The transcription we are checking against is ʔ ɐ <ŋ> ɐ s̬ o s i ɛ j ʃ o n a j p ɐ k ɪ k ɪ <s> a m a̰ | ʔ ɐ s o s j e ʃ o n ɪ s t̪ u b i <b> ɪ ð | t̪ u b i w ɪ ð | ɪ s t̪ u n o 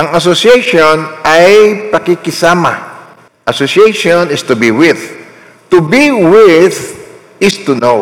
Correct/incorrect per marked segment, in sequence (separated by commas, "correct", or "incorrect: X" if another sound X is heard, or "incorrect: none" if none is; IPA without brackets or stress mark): correct, correct, incorrect: w